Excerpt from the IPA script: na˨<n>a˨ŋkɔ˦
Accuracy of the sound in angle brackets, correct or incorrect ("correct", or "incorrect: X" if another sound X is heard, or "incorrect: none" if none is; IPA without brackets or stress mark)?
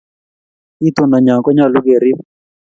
incorrect: ɲ